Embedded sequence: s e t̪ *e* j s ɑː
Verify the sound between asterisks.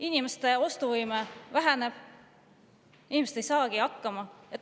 correct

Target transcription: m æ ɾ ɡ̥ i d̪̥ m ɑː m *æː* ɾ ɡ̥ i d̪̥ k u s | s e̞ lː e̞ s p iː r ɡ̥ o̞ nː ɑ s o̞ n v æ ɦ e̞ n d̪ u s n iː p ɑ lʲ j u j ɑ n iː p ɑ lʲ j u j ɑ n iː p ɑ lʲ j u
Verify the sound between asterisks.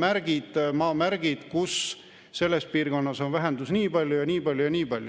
incorrect: æ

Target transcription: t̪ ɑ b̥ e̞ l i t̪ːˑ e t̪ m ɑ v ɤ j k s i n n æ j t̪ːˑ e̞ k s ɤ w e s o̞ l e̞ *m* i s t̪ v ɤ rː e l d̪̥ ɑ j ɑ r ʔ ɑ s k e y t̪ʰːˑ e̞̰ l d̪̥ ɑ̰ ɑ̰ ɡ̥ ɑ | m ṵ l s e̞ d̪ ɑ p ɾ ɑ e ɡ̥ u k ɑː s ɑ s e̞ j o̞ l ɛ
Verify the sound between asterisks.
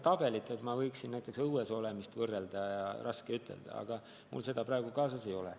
correct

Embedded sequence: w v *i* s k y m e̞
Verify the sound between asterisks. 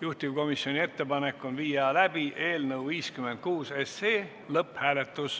incorrect: iː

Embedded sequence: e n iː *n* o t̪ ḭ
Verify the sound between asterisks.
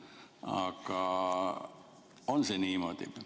incorrect: m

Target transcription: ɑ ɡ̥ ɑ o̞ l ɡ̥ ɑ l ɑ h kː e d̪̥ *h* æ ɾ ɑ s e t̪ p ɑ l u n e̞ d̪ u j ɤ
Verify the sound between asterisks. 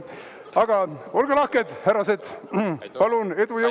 correct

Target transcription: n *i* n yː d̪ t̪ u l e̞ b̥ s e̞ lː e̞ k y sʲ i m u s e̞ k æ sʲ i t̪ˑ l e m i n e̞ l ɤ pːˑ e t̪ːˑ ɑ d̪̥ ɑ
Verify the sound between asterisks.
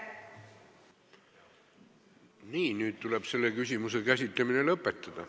incorrect: iː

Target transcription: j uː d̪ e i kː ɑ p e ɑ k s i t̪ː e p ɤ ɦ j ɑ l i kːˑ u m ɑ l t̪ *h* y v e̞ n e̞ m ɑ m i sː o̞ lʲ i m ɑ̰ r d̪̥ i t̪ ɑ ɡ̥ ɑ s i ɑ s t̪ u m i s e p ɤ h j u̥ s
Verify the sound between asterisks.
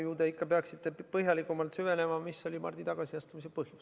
incorrect: s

